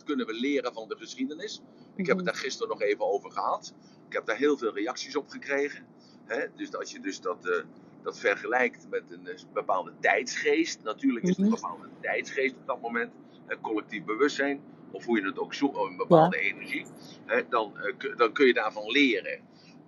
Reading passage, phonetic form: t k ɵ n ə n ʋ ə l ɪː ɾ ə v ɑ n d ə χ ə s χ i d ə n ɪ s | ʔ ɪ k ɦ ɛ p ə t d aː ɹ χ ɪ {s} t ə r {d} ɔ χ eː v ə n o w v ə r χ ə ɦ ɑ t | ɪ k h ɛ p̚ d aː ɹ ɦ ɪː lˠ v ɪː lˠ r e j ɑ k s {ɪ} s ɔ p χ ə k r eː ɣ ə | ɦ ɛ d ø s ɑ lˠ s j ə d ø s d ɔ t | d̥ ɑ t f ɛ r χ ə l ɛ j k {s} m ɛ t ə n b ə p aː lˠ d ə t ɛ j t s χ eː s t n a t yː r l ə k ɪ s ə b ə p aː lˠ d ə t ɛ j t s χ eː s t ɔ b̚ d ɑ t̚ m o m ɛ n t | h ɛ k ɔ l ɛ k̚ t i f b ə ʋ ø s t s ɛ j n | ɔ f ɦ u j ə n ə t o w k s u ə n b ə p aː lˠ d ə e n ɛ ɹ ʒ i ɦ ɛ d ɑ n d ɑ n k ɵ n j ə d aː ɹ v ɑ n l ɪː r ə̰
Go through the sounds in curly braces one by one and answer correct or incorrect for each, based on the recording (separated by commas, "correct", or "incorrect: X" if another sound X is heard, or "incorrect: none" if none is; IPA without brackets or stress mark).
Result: correct, incorrect: n, incorrect: i, incorrect: t